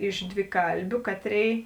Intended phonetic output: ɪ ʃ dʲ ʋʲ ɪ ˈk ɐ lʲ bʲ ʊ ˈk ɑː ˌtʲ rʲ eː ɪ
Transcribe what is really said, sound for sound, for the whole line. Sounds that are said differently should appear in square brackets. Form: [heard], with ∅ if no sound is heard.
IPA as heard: ɪ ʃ dʲ ʋʲ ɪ ˈk ɐ lʲ bʲ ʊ ˈk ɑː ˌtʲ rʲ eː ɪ